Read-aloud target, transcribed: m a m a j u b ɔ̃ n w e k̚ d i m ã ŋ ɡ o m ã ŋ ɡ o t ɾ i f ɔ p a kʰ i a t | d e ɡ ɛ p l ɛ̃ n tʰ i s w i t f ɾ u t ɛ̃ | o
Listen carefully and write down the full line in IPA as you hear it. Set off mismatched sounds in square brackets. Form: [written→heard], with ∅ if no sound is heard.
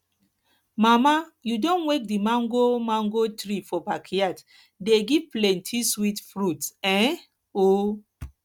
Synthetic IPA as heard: m a m a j u [b→d] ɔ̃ n w e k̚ d i m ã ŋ ɡ o m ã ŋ ɡ o t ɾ i f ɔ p a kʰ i a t | d e ɡ [ɛ→i] p l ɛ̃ n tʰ i s w i t f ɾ u t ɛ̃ | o